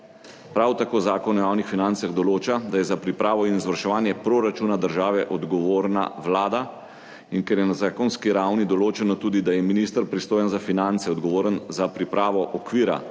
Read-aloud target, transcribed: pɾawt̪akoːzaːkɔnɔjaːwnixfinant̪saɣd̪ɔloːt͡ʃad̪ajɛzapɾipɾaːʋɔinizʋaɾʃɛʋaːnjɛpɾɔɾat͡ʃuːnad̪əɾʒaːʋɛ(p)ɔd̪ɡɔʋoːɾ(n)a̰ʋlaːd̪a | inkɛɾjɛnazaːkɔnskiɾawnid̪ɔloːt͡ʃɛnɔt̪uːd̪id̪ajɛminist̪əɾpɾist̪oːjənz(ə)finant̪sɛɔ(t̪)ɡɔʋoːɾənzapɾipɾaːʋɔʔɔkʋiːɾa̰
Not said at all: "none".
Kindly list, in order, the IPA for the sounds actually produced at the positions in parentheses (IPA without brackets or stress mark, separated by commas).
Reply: ʔ, n, a, d̪